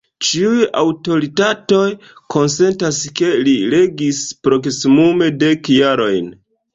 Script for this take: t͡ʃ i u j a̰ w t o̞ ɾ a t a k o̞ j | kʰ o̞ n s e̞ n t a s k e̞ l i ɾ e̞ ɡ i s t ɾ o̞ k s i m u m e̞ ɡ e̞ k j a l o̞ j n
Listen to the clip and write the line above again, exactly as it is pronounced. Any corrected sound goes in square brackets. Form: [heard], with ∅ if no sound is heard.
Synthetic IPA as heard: t͡ʃ i u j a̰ w t o̞ ɾ [i] t a [t] o̞ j | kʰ o̞ n s e̞ n t a s k e̞ l i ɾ e̞ ɡ i s [p] ɾ o̞ k s i m u m e̞ [d] e̞ k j a [ɾ] o̞ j n